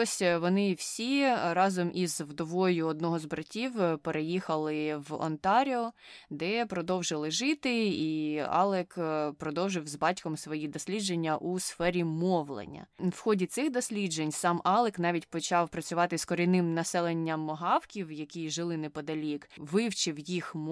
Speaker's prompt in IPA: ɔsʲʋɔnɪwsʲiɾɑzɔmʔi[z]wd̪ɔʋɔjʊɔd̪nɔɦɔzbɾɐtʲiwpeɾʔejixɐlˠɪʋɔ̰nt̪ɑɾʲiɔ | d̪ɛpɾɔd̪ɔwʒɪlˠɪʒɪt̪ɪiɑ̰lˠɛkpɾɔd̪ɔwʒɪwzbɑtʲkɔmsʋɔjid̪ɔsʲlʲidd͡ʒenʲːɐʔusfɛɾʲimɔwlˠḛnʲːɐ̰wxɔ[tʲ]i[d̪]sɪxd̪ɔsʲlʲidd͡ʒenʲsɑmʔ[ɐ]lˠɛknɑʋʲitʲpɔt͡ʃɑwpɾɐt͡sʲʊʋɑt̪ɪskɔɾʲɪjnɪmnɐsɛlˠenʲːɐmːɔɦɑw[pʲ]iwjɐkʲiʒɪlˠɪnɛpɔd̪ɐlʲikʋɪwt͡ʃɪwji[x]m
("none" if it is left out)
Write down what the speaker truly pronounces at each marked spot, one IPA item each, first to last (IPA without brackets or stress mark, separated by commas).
z, dʲ, t̪, ɑ, kʲ, x